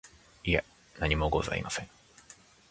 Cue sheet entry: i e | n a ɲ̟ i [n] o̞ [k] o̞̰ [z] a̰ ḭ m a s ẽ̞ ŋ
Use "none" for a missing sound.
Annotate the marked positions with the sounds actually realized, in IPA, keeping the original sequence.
m, ɡ, z

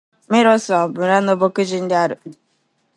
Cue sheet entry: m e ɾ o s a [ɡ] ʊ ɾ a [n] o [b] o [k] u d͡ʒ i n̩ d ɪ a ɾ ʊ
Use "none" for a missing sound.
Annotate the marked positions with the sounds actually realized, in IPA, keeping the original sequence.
b, n, b, k

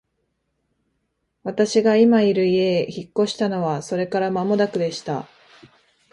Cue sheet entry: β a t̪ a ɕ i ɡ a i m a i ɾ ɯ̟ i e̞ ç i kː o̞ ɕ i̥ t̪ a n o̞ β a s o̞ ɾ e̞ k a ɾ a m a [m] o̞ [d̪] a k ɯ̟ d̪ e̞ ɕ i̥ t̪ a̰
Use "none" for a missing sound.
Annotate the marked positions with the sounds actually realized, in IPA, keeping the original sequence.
m, d̪

